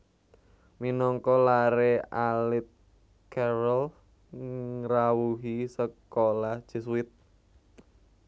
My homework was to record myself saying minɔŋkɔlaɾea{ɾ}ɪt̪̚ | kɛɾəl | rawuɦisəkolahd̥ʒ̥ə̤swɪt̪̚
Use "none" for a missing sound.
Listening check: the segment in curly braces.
l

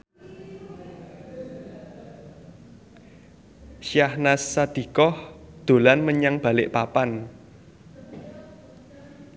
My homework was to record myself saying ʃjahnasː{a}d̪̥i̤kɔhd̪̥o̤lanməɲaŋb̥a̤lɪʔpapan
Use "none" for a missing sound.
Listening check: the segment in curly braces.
a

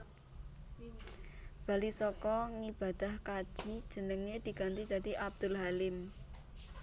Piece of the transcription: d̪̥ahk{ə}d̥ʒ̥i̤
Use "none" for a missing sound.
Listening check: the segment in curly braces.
a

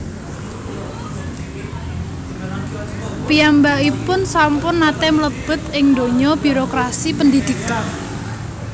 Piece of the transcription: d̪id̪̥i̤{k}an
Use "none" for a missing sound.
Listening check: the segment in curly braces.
k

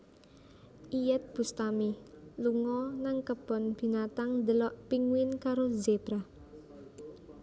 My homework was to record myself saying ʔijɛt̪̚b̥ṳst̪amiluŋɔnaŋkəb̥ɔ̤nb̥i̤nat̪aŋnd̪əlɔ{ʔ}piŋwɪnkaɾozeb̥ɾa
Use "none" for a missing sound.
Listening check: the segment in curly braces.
ʔ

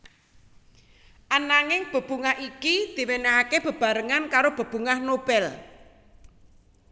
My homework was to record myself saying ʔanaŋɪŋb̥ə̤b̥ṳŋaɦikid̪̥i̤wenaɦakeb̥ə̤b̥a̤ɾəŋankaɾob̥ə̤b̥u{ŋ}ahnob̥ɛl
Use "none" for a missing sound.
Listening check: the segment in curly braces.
ŋ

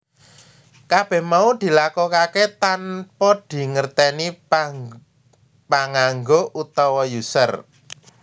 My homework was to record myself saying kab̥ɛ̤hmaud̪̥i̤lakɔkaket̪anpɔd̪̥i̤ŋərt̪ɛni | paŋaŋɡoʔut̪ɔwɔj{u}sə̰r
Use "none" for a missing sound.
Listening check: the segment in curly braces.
u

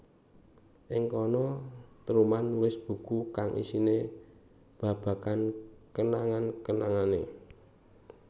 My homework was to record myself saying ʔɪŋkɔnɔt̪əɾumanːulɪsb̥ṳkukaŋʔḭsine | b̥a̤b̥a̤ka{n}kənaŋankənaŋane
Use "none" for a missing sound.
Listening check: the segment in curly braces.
n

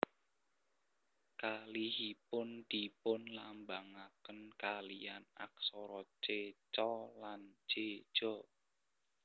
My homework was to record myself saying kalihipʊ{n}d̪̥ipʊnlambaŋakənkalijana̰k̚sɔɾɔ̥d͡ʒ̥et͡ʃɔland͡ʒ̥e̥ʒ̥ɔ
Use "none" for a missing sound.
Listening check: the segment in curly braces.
n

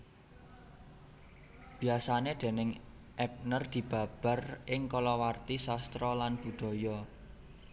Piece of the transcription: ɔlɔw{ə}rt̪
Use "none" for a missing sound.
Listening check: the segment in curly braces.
a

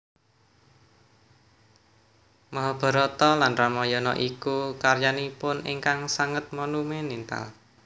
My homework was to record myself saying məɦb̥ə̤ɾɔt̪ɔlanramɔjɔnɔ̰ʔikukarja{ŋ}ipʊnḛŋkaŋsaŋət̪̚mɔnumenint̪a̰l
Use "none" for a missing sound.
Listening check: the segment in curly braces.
n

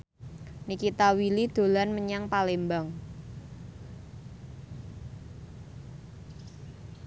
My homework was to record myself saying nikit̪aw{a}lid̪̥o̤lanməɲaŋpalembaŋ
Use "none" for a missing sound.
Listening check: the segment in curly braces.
i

